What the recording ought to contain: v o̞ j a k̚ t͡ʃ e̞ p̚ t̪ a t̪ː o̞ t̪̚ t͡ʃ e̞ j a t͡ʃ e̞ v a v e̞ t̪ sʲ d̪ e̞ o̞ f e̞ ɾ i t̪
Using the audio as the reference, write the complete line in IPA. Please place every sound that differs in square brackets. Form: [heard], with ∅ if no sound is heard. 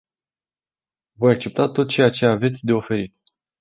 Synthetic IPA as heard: v o̞ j a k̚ t͡ʃ e̞ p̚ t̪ a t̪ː o̞ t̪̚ t͡ʃ e̞ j a t͡ʃ e̞ [∅] a v e̞ t̪ sʲ d̪ e̞ o̞ f e̞ ɾ i t̪